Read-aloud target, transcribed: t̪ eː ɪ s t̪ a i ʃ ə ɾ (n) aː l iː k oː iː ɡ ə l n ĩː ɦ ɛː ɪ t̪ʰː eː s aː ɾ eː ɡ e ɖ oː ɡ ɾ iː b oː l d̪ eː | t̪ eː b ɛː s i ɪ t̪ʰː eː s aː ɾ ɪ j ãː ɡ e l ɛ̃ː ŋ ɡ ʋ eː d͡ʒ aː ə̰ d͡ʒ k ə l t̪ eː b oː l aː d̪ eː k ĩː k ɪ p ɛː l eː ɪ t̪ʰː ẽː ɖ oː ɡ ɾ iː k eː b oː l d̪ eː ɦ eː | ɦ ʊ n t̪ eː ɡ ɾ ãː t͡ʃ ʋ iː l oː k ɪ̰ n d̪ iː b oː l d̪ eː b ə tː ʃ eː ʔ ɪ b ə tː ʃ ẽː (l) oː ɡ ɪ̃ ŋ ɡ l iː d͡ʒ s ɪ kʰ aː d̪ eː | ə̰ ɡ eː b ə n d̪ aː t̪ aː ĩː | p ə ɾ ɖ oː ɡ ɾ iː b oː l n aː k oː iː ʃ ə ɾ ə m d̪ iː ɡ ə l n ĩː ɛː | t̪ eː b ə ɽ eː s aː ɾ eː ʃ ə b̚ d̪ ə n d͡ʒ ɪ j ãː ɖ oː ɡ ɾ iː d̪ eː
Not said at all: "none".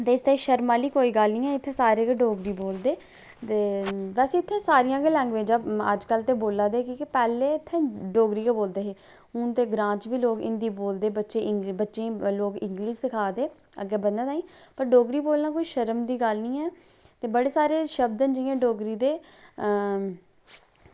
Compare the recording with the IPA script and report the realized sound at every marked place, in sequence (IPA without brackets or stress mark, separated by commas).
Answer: m, l